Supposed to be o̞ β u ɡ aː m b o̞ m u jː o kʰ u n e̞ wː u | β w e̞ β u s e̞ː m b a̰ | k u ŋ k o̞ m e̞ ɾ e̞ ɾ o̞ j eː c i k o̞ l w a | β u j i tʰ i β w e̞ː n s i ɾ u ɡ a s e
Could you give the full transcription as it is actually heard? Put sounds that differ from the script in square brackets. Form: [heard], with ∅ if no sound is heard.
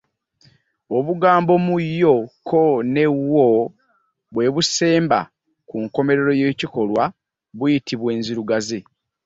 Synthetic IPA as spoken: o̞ β u ɡ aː m b o̞ m u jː o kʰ [o] n e̞ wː [o] | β w e̞ β u s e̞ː m b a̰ | k u ŋ k o̞ m e̞ ɾ e̞ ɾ o̞ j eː c i k o̞ l w a | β u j i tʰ i β w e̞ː n [z] i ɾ u ɡ a [z] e